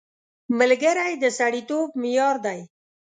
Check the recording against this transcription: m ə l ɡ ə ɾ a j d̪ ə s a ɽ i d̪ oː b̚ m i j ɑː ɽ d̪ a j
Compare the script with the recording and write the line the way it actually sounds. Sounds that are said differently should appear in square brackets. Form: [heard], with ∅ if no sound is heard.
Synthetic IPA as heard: m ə l ɡ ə ɾ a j d̪ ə s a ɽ i [t̪] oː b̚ m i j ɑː [ɾ] d̪ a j